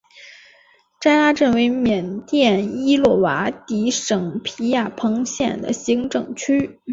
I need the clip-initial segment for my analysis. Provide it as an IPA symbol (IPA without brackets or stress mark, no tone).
ʈ͡ʂ